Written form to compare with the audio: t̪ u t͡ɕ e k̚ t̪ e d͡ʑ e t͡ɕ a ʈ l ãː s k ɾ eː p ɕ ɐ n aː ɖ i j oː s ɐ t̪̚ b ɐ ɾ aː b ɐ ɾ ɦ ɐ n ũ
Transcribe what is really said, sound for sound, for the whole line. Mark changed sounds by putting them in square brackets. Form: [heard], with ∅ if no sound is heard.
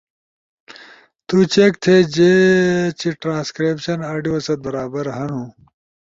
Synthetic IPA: t̪ u t͡ɕ e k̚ [t̪ʰ] e d͡ʑ e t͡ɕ [i] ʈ [ɾ] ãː s k ɾ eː p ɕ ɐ n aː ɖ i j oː s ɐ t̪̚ b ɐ ɾ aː b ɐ ɾ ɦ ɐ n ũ